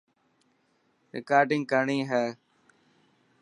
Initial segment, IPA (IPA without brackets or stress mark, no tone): ɾ